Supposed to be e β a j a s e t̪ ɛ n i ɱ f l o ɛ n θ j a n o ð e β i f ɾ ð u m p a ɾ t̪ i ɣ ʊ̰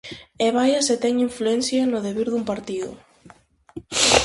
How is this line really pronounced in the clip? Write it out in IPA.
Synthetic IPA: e β a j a s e t̪ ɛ ŋ i ɱ f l u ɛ n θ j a n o ð e β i ɾ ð u m p a ɾ t̪ i ð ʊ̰

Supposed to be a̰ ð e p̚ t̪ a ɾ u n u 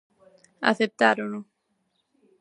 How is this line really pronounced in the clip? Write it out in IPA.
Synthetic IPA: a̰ θ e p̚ t̪ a ɾ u n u

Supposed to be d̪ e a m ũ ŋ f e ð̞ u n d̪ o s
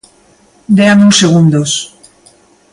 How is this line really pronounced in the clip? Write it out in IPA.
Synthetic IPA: d̪ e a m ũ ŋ s e ɣ̞ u n d̪ o s

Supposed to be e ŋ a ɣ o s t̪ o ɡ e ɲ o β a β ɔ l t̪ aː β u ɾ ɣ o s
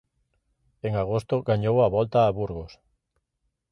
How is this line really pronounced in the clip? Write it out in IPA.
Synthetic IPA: e ŋ a ɣ o s t̪ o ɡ a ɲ o w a β ɔ l t̪ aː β u ɾ ɣ o s

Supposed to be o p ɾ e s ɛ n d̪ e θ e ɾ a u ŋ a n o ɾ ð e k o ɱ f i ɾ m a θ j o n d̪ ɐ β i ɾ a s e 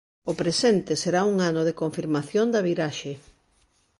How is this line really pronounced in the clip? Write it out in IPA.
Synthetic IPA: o p ɾ e s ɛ n t̪ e s e ɾ a u ŋ a n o ð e k o ɱ f i ɾ m a θ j o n d̪ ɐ β i ɾ a ʃ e

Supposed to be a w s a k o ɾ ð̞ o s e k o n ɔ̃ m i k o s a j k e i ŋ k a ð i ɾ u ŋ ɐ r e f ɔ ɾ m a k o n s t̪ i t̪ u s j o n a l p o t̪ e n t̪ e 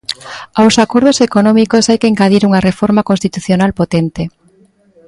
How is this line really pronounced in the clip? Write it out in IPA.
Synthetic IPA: a w s a k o ɾ ð̞ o s e k o n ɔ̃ m i k o s a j k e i ŋ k a ð i ɾ u ŋ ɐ r e f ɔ ɾ m a k o n s t̪ i t̪ u θ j o n a l p o t̪ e n t̪ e

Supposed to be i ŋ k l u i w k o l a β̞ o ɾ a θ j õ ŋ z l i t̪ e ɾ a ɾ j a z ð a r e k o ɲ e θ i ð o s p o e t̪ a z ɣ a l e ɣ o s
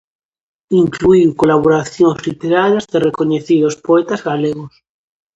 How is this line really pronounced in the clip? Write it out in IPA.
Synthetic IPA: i ŋ k l u i w k o l a β̞ o ɾ a θ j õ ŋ z l i t̪ e ɾ a ɾ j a z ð e r e k o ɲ e θ i ð o s p o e t̪ a z ɣ a l e ɣ o s

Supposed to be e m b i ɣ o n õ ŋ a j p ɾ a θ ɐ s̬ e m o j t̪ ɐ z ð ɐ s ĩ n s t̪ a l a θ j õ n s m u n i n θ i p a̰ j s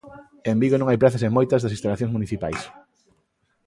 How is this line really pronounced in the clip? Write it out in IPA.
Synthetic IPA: e m b i ɣ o n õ ŋ a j p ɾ a θ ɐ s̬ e m o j t̪ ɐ z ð ɐ s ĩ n s t̪ a l a θ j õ ŋ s m u n i θ i p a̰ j s

